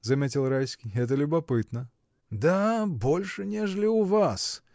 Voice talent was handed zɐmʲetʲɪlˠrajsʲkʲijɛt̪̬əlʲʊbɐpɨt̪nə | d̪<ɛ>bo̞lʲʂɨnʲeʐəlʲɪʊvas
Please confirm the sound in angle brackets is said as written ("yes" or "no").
no